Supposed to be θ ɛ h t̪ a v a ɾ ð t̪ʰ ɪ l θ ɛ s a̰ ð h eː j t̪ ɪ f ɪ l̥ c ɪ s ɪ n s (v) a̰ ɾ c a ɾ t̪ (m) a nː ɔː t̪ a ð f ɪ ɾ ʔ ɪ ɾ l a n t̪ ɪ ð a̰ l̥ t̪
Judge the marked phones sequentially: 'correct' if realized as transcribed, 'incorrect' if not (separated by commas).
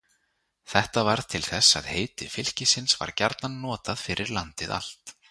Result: correct, incorrect